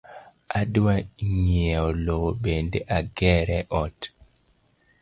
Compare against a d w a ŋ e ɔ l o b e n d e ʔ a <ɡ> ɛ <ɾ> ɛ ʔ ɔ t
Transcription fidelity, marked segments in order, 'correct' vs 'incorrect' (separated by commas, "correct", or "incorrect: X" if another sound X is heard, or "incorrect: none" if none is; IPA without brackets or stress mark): correct, correct